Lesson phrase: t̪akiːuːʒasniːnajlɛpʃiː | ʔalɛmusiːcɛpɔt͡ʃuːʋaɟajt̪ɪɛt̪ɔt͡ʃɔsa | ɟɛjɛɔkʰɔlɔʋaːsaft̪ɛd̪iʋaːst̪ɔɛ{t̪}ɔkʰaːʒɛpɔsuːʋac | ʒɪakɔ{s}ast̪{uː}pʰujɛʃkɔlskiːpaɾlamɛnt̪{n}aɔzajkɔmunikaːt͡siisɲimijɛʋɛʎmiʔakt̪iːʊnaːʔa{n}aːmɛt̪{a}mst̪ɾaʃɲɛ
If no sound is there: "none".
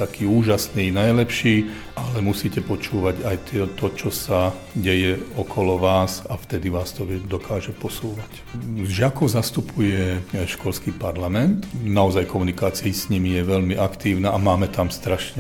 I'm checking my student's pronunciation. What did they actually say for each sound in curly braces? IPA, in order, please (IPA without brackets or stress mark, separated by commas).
d̪, z, u, n, m, a